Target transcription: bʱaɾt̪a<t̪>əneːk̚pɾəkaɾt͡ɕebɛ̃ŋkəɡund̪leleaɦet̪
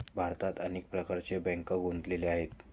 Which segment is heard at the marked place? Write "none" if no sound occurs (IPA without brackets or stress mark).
t̪